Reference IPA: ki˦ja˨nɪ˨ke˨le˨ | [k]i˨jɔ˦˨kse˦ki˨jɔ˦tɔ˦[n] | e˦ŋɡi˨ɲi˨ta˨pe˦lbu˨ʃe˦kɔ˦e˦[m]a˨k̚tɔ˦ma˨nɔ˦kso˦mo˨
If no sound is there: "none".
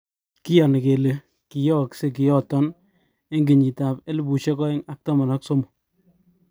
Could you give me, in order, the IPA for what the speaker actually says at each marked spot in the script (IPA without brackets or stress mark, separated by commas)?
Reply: k, n, ŋ